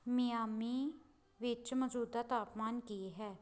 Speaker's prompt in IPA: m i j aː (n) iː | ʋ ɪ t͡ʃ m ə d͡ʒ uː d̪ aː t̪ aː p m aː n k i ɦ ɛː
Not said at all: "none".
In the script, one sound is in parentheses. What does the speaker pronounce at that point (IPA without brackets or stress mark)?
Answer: m